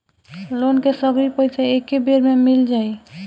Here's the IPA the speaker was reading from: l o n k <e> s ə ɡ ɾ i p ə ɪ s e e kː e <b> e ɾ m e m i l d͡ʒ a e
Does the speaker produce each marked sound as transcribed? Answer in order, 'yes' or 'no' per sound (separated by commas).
yes, yes